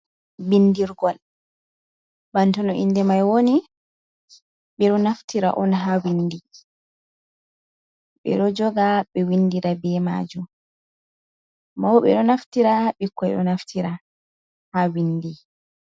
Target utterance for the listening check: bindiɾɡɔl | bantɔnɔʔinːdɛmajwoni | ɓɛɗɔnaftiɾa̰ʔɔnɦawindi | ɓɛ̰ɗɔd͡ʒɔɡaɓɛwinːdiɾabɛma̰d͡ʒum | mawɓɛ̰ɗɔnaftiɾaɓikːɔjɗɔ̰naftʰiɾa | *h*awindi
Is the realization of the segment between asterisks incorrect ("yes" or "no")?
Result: no